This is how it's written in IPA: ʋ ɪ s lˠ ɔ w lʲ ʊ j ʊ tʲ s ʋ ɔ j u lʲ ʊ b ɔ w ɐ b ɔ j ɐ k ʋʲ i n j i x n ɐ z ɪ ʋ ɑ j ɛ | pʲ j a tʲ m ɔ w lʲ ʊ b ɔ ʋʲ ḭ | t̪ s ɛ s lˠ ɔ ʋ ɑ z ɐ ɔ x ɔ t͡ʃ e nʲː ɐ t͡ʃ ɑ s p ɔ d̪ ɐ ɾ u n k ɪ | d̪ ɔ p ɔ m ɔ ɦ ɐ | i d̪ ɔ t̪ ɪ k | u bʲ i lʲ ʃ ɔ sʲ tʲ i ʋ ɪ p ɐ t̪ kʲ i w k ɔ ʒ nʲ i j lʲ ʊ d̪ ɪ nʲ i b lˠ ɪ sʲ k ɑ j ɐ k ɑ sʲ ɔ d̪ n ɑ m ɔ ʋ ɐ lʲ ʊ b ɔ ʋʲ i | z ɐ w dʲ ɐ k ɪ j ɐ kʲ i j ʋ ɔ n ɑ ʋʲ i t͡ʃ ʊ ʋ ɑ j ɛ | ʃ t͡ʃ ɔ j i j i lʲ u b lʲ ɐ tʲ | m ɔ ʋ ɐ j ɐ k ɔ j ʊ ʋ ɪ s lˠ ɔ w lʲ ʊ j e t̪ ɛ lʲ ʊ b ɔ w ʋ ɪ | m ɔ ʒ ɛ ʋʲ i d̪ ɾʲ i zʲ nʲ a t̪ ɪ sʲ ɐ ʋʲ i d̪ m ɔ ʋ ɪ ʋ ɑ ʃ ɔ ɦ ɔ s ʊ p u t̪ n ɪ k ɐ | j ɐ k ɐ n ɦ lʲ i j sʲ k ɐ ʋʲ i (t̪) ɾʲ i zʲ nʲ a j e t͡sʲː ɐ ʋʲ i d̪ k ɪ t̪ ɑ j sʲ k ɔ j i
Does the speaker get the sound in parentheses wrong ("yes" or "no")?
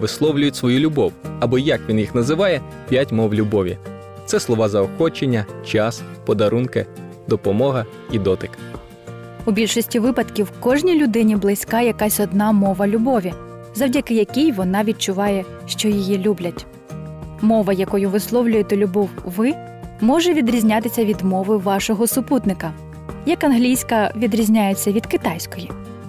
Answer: yes